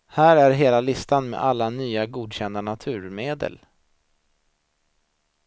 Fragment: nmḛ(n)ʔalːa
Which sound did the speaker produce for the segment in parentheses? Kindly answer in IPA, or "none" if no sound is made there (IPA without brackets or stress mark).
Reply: none